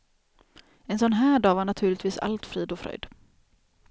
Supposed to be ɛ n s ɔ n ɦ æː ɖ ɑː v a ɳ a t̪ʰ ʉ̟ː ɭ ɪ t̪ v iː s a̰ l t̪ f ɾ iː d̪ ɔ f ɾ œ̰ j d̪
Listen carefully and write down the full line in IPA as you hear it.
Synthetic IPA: ɛ n s ɔ n ɦ æː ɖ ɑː v a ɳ a t̪ʰ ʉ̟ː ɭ ɪ t̪ v iː s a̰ l t̪ f ɾ iː d̪ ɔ f ɾ œ̰ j d̪